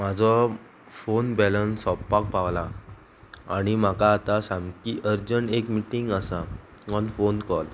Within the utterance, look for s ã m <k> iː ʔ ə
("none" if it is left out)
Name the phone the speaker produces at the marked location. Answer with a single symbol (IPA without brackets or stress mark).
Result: k